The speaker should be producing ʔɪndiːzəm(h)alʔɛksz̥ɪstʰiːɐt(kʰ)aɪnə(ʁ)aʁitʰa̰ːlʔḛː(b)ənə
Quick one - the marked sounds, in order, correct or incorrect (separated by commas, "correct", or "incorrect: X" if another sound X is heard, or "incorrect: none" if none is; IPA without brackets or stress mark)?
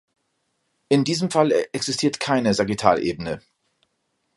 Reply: incorrect: f, correct, incorrect: z, correct